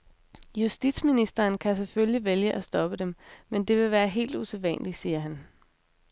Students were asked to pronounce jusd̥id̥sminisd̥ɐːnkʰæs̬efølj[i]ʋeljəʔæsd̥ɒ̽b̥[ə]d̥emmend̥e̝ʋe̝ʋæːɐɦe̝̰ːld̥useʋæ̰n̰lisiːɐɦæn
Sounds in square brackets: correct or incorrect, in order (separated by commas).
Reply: correct, correct